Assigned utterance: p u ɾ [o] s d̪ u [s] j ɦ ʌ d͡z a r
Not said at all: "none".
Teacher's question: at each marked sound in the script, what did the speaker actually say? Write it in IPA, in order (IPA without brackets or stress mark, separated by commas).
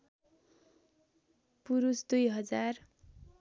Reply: u, none